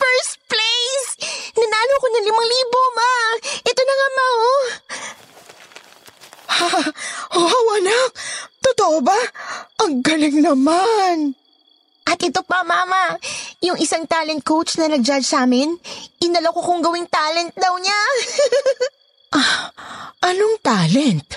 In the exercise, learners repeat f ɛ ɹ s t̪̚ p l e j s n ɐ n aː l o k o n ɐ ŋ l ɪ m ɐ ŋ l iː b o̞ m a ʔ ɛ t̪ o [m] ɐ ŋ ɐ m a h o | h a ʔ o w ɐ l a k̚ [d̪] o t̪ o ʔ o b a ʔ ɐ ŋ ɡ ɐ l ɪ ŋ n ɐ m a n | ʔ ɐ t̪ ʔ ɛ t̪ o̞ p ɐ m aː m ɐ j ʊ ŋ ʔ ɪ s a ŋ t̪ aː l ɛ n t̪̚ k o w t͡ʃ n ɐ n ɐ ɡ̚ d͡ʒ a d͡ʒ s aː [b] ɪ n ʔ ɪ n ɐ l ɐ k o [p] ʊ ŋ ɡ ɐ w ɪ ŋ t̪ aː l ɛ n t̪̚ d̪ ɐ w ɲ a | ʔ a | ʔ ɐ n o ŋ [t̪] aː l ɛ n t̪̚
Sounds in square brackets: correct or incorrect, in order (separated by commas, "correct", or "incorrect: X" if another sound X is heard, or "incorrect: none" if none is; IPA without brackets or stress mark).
incorrect: n, incorrect: t̪, incorrect: m, incorrect: k, correct